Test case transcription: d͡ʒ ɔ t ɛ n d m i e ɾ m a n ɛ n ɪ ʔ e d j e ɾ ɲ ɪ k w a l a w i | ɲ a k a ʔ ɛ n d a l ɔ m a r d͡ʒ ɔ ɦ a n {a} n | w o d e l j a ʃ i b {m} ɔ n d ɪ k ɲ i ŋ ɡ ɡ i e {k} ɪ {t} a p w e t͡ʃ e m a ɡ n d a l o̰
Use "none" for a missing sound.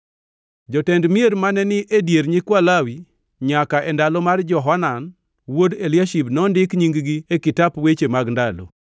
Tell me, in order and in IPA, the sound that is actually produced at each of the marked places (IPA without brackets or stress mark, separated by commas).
a, n, k, t